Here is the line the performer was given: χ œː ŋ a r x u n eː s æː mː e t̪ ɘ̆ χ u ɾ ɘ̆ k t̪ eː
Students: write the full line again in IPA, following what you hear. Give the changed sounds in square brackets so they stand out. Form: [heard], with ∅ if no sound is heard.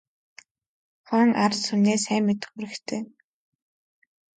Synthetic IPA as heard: χ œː ŋ a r [s] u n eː s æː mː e t̪ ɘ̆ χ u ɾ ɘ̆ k [t̪ʰ] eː